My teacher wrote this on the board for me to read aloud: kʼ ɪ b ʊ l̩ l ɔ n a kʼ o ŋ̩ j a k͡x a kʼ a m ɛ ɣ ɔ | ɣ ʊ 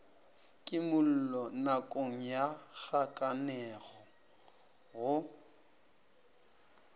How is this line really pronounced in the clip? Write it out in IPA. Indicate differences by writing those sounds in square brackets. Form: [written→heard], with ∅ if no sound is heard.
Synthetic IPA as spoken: kʼ ɪ [b→m] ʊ l̩ l ɔ n a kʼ o ŋ̩ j a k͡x a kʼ a [m→n] ɛ ɣ ɔ | ɣ ʊ